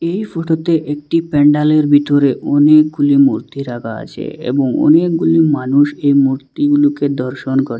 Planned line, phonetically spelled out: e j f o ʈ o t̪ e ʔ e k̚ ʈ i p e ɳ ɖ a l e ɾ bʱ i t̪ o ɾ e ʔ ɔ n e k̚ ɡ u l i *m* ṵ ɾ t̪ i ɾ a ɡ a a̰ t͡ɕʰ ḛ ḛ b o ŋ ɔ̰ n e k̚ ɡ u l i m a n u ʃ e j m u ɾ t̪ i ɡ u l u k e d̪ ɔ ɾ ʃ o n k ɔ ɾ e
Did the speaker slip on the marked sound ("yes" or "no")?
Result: no